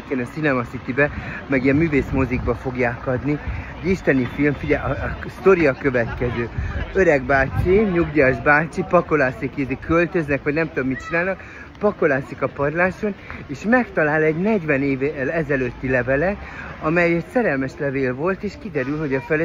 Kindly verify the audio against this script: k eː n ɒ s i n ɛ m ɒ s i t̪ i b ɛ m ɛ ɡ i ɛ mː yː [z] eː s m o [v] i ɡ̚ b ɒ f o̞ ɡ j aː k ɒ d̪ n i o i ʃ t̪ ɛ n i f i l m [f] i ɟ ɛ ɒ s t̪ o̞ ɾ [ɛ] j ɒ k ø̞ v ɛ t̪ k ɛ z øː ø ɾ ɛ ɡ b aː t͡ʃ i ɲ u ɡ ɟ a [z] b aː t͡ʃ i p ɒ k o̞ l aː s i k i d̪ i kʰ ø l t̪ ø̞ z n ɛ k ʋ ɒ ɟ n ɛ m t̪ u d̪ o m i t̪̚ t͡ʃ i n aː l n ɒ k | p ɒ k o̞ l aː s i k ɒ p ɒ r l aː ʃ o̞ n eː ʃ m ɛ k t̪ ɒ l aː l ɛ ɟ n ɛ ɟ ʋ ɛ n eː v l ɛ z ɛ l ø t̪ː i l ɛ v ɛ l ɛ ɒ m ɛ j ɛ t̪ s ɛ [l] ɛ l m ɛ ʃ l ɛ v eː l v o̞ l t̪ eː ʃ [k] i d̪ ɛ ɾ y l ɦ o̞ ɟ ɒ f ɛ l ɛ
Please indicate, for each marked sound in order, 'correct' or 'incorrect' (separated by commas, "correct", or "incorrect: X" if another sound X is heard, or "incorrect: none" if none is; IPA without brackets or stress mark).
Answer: incorrect: v, incorrect: z, correct, incorrect: i, incorrect: ʒ, incorrect: ɾ, correct